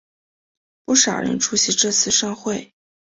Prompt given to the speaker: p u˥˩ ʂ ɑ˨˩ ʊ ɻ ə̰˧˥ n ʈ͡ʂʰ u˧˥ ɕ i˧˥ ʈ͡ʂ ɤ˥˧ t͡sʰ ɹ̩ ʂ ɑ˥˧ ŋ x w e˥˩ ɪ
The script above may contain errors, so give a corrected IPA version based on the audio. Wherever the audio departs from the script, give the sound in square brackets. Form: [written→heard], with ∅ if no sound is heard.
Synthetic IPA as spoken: p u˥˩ ʂ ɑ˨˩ ʊ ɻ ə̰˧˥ n ʈ͡ʂʰ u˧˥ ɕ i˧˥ ʈ͡ʂ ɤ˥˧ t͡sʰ ɹ̩ ʂ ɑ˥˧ ŋ x w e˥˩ ɪ